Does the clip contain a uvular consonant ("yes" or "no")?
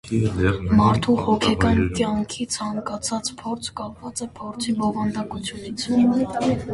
no